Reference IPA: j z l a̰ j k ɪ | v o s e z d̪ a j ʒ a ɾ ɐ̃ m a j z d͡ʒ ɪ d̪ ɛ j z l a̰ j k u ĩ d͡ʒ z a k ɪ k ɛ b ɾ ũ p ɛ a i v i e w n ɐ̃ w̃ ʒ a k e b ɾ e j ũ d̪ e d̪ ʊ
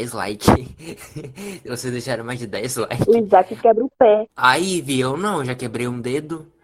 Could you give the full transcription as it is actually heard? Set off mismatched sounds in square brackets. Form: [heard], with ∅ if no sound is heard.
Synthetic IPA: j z l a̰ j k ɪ | v o s e z d̪ [e] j [ʃ] a ɾ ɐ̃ m a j z d͡ʒ ɪ d̪ ɛ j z l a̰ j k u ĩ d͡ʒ z a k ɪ k ɛ b ɾ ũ p ɛ a i v i e w n ɐ̃ w̃ ʒ a k e b ɾ e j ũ d̪ e d̪ ʊ